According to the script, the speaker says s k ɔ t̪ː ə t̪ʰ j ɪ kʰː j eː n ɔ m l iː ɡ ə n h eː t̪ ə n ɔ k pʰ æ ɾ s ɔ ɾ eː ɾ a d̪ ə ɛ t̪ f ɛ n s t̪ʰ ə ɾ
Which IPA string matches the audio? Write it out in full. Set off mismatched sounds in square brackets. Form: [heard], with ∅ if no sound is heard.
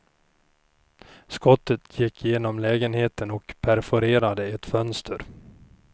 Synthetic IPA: s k ɔ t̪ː ə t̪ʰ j ɪ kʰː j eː n ɔ m l [ɛː] ɡ ə n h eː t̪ ə n ɔ k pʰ æ ɾ [f] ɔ ɾ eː ɾ a d̪ ə ɛ t̪ f [œ] n s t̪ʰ ə ɾ